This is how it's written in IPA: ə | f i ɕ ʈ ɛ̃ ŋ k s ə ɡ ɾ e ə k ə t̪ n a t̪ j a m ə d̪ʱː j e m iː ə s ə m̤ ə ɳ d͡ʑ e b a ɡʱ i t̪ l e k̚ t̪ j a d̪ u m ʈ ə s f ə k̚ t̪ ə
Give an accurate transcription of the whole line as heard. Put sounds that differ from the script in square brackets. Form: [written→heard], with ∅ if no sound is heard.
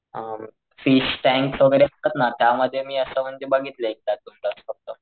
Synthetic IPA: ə | f i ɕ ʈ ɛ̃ ŋ k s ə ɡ ɾ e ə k ə t̪ n a t̪ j a m ə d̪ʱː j e m iː ə s ə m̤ ə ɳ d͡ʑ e b a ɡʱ i t̪ l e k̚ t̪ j a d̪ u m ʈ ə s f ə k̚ t̪ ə